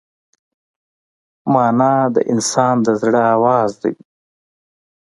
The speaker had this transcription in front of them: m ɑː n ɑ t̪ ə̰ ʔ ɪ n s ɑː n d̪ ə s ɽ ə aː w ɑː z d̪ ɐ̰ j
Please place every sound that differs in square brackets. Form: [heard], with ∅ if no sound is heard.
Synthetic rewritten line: m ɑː n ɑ [d̪] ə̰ ʔ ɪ n s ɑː n d̪ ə [z] ɽ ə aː w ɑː z d̪ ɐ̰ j